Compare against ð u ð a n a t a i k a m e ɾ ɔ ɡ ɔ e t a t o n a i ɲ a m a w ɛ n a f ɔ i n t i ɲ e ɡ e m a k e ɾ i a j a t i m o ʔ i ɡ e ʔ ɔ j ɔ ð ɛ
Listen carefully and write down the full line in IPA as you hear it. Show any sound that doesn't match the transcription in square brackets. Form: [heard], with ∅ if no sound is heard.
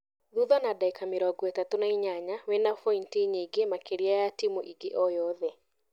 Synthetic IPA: ð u ð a n a [d] a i k a m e ɾ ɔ ɡ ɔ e t a t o n a i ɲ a [ɲ] a w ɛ n a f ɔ i n t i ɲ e ɡ e m a k e ɾ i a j a t i m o ʔ i ɡ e ʔ ɔ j ɔ ð ɛ